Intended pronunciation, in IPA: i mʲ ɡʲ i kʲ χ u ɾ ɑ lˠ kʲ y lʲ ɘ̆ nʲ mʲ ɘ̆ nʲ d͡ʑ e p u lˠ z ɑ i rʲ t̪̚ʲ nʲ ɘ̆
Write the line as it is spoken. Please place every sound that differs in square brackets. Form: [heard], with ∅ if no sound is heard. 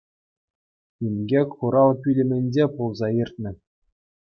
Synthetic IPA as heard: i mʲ ɡʲ [e] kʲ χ u ɾ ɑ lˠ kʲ y lʲ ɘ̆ [∅] mʲ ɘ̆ nʲ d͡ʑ e p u lˠ z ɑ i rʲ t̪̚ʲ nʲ ɘ̆